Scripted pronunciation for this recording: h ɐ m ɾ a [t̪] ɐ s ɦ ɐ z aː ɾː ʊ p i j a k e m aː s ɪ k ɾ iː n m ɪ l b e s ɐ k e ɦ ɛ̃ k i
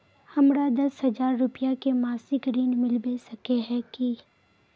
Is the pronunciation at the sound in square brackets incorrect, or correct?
incorrect